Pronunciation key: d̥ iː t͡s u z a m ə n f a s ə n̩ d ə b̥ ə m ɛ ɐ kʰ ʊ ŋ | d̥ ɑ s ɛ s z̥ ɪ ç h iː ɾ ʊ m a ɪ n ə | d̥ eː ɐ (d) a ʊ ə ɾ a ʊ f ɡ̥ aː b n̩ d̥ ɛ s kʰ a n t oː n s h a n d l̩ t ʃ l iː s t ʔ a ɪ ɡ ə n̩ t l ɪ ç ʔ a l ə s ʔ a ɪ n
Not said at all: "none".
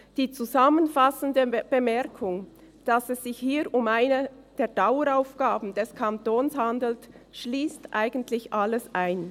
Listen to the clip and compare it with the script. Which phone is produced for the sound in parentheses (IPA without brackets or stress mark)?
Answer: d